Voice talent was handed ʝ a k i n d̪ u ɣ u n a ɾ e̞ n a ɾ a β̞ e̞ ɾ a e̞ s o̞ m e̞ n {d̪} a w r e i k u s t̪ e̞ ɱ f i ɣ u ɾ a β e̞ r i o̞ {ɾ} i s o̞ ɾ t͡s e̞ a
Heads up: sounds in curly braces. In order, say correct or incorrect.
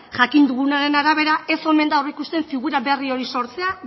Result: correct, correct

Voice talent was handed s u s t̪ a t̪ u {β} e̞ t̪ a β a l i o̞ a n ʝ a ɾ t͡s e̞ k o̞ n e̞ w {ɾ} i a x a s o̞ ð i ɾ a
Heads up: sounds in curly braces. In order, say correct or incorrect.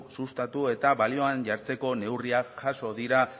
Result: incorrect: none, incorrect: r

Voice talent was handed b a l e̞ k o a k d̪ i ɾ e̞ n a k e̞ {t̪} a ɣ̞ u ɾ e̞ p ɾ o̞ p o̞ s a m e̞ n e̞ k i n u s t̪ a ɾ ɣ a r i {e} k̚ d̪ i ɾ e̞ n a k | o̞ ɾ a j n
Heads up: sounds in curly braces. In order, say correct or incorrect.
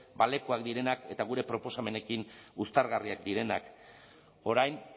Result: correct, incorrect: a

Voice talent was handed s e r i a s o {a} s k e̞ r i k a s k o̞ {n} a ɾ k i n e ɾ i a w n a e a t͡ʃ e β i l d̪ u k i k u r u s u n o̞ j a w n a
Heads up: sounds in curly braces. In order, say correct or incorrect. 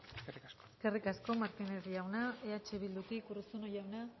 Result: incorrect: e, incorrect: m

